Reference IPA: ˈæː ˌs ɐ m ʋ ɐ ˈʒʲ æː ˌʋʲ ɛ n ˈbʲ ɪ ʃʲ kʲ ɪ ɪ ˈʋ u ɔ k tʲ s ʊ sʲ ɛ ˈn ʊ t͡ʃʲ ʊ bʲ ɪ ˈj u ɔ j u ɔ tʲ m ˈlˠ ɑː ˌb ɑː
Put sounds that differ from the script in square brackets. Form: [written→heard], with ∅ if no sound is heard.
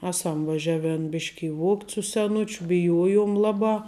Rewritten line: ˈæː ˌs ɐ m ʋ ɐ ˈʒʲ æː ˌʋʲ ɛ n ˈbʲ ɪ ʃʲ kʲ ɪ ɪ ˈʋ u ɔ k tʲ s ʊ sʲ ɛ ˈn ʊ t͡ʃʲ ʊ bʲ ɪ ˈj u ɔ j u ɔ [tʲ→∅] m ˈlˠ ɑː ˌb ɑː